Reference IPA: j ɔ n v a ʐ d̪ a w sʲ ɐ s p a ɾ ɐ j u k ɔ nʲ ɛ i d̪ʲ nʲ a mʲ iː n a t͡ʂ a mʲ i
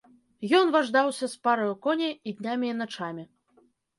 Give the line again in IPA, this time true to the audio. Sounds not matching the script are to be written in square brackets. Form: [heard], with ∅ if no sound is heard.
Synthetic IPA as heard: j ɔ n v a ʐ d̪ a w sʲ ɐ s p a ɾ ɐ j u k ɔ nʲ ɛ i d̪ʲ nʲ a mʲ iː n a t͡ʂ a mʲ i

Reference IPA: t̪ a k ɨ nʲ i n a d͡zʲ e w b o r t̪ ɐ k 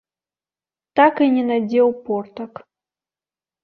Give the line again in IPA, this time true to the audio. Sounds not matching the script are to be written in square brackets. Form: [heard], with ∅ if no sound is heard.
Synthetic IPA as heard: t̪ a k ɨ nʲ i n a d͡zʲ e w [p] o r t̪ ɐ k

